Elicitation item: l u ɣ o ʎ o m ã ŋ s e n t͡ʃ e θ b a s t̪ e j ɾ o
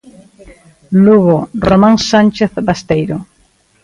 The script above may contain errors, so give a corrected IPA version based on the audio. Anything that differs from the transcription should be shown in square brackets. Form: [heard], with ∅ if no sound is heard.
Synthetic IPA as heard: l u ɣ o [r] o m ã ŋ s [a] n t͡ʃ e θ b a s t̪ e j ɾ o